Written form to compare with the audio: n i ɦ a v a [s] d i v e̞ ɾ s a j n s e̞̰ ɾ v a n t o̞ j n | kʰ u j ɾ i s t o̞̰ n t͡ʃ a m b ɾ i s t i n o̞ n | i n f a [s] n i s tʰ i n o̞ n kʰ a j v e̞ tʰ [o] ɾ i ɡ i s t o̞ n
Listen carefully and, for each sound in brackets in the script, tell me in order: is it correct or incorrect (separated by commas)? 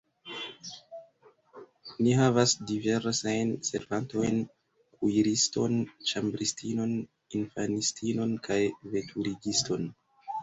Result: correct, incorrect, incorrect